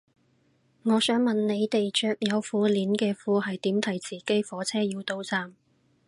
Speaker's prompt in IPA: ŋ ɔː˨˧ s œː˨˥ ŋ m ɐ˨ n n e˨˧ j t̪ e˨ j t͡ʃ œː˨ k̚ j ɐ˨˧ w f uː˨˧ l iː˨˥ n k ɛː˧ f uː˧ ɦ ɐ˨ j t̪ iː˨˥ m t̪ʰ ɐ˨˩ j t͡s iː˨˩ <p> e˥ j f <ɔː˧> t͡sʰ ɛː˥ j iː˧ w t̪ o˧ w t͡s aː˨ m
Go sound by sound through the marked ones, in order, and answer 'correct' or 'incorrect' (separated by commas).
incorrect, incorrect